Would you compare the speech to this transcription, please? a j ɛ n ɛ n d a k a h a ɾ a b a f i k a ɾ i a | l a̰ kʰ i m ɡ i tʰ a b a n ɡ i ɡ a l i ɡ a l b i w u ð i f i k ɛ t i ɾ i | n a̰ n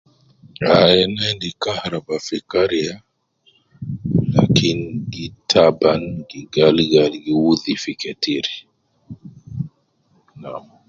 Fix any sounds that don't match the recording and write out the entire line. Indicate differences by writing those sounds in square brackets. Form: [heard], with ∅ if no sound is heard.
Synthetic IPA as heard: a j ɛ n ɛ n d [i] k a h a ɾ a b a f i k a ɾ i a | l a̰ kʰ i [n] ɡ i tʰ a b a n ɡ i ɡ a l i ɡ a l [ɡ] i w u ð i f i k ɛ t i ɾ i | n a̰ [m]